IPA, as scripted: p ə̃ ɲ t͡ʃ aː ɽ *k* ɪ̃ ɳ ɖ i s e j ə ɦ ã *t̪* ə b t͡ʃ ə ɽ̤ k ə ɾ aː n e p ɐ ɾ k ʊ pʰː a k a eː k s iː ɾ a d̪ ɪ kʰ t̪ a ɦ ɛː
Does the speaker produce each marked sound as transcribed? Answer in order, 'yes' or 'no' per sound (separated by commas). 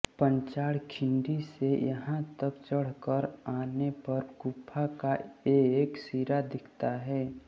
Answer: no, yes